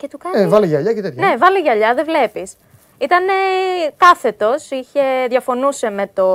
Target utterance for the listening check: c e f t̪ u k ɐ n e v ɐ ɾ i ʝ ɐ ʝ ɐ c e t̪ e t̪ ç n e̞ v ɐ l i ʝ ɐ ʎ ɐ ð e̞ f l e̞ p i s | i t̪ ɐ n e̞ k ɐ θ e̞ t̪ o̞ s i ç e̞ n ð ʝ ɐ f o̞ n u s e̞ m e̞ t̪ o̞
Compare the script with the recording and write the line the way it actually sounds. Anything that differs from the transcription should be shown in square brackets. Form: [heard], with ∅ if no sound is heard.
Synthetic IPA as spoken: c e [∅] t̪ u k ɐ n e v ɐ [l] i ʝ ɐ [ʎ] ɐ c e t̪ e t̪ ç n e̞ v ɐ l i ʝ ɐ ʎ ɐ ð e̞ [v] l e̞ p i s | i t̪ ɐ n e̞ k ɐ θ e̞ t̪ o̞ s i ç e̞ [∅] ð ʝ ɐ f o̞ n u s e̞ m e̞ t̪ o̞